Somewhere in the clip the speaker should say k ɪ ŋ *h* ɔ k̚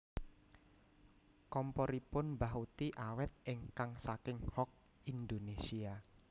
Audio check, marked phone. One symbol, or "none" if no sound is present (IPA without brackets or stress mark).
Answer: h